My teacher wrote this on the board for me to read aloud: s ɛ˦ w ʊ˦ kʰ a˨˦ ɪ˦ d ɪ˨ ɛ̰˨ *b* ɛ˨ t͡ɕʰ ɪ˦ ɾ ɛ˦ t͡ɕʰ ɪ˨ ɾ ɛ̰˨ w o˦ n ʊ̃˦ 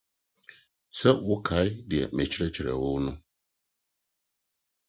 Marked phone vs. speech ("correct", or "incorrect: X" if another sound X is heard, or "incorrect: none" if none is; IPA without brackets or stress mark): incorrect: m